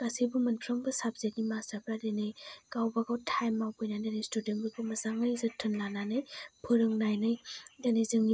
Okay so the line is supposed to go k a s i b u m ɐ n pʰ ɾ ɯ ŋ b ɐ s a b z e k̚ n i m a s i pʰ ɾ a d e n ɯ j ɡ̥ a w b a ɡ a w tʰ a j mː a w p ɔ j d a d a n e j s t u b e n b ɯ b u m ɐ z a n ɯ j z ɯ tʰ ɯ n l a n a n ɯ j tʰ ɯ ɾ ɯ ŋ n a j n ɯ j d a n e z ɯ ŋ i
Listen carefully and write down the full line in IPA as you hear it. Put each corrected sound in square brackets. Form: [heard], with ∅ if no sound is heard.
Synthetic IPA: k a s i b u m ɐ n pʰ ɾ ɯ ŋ b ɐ s a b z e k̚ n i m a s [a] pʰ ɾ a d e n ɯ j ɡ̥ a w b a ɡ a w tʰ a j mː a w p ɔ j [n] a d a n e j s t u [d] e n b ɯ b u m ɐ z a [ŋ] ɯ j z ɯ tʰ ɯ n l a n a n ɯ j [pʰ] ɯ ɾ ɯ ŋ n a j n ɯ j d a n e z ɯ ŋ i